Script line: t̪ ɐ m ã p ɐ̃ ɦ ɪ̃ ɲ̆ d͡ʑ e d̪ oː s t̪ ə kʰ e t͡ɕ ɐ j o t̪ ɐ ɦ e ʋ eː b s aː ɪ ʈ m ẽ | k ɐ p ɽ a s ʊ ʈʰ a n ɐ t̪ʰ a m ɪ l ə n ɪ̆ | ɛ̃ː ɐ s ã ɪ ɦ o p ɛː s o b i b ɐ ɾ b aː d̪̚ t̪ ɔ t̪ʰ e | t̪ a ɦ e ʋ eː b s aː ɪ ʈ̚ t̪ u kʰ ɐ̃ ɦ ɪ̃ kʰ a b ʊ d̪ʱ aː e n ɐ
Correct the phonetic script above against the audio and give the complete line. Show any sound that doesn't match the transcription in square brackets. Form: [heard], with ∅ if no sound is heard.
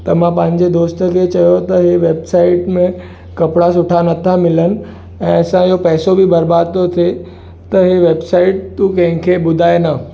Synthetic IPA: t̪ ɐ m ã p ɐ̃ ɦ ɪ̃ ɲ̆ d͡ʑ e d̪ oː s t̪ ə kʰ e t͡ɕ ɐ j o t̪ ɐ ɦ e ʋ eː b s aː ɪ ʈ m ẽ | k ɐ p ɽ a s ʊ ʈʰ a n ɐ t̪ʰ a m ɪ l ə n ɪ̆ | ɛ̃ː ɐ s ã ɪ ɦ o p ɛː s o b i b ɐ ɾ b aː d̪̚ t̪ [o] t̪ʰ e | t̪ [ɐ] ɦ e ʋ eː b s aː ɪ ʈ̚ t̪ u [k] ɐ̃ ɦ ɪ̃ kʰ [e] b ʊ d̪ʱ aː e n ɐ

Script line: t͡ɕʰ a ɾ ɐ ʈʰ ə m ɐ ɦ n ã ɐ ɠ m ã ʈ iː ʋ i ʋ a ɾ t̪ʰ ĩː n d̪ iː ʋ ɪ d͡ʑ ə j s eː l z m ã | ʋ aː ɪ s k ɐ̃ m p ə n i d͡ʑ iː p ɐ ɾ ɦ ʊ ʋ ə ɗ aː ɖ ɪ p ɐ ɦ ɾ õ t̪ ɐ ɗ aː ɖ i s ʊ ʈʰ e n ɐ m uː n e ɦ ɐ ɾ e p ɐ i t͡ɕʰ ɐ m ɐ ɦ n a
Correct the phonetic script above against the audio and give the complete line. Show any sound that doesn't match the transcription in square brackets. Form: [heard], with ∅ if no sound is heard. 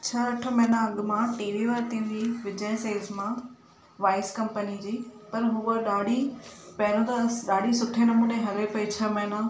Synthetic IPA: t͡ɕʰ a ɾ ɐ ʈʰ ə m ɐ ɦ n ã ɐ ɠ m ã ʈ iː ʋ i ʋ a ɾ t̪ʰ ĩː n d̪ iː ʋ ɪ d͡ʑ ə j s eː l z m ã | ʋ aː ɪ s k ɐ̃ m p ə n i d͡ʑ iː p ɐ ɾ ɦ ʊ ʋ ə ɗ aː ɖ [i] p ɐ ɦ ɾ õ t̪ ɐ ɗ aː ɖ i s ʊ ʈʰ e n ɐ m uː n e ɦ ɐ ɾ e p ɐ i t͡ɕʰ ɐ m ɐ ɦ n a

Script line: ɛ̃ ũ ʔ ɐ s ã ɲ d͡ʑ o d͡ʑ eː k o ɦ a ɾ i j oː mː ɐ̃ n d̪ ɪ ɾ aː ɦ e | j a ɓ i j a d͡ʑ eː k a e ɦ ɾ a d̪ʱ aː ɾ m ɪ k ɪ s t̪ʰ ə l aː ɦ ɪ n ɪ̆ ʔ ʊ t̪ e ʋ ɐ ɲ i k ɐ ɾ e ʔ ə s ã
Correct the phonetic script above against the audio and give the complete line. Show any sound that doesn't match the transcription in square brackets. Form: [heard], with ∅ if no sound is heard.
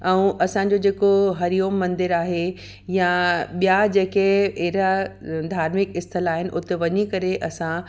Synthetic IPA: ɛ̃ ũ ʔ ɐ s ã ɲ d͡ʑ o d͡ʑ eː k o ɦ [ɐ] ɾ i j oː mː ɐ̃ n d̪ ɪ ɾ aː ɦ e | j a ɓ i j a d͡ʑ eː k [e] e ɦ ɾ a d̪ʱ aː ɾ m ɪ k ɪ s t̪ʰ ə l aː ɦ ɪ n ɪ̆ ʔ ʊ t̪ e ʋ ɐ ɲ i k ɐ ɾ e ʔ [ɐ] s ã

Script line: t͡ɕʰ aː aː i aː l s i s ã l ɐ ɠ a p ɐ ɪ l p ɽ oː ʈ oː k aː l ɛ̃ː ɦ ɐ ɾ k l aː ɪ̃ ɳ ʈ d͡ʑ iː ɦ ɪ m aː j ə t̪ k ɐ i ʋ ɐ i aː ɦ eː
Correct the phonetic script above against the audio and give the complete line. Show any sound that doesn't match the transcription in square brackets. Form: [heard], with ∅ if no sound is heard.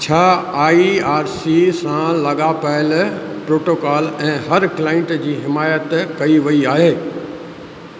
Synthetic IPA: t͡ɕʰ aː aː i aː [ɾ] s i s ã l ɐ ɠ a p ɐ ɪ l p [ɾ] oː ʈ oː k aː l ɛ̃ː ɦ ɐ ɾ k l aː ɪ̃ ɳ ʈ d͡ʑ iː ɦ ɪ m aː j ə t̪ k ɐ i ʋ ɐ i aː ɦ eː

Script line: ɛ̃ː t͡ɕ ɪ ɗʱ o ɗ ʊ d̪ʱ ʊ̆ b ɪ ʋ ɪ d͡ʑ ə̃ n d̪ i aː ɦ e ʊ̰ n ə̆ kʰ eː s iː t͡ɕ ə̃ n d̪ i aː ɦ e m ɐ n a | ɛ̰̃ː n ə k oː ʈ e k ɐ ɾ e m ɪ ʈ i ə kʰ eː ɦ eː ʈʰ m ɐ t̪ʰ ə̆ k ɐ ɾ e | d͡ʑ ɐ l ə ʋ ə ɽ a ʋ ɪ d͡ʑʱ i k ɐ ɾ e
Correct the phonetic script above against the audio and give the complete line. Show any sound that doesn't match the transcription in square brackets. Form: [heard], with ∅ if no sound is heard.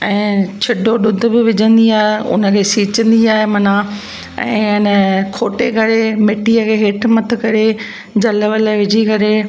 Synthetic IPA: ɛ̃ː [t͡ɕʰ] ɪ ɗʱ o ɗ ʊ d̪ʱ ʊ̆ b ɪ ʋ ɪ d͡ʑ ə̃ n d̪ i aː ɦ e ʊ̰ n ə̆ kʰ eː s iː t͡ɕ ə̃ n d̪ i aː ɦ e m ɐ n a | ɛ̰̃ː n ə [kʰ] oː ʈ e k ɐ ɾ e m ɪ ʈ i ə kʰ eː ɦ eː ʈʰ m ɐ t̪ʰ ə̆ k ɐ ɾ e | d͡ʑ ɐ l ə ʋ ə [l] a ʋ ɪ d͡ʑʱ i k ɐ ɾ e

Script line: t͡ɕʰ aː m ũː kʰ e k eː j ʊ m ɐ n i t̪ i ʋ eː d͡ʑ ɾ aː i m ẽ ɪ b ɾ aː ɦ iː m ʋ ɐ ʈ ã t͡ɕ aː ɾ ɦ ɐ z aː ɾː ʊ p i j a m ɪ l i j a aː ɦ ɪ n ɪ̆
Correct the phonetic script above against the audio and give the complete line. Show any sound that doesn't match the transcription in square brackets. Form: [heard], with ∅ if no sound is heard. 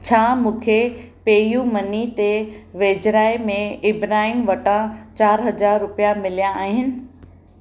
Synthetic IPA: t͡ɕʰ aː m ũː kʰ e [p] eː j [u] m ɐ n i t̪ [e] ʋ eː d͡ʑ ɾ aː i m ẽ ɪ b ɾ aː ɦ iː m ʋ ɐ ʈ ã t͡ɕ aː ɾ ɦ ɐ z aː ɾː ʊ p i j a m ɪ l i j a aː ɦ ɪ n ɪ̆

